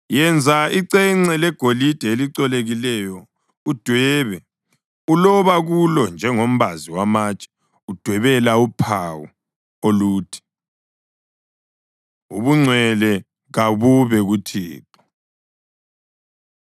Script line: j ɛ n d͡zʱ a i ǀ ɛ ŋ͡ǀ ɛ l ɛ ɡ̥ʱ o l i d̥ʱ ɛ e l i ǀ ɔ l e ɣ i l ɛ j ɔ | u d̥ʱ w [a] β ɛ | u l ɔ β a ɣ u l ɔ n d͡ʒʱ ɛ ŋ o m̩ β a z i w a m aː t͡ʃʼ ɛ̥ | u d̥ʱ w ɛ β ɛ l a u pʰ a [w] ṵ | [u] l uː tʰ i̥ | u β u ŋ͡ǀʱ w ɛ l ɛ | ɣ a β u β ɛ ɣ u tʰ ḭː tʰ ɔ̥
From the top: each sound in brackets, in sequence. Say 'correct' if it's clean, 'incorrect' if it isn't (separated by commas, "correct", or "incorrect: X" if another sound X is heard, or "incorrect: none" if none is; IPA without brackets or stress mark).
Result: incorrect: ɛ, correct, incorrect: o